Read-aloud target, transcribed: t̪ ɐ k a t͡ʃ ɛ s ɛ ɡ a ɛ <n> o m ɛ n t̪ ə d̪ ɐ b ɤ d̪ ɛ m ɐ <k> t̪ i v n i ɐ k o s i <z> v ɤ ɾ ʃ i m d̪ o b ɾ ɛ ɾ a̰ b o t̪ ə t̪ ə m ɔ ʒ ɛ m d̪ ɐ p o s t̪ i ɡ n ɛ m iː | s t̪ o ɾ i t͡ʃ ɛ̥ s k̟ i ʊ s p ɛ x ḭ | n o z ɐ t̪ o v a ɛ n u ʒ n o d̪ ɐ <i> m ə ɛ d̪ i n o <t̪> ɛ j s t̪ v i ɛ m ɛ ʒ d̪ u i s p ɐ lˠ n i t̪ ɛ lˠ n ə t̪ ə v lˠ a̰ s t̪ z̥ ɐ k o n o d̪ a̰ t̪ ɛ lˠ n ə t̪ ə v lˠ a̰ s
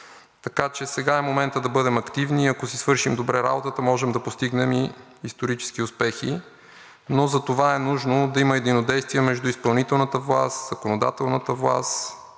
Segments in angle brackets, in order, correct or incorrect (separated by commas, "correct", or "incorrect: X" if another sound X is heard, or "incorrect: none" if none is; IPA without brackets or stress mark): incorrect: m, correct, incorrect: s, correct, incorrect: d̪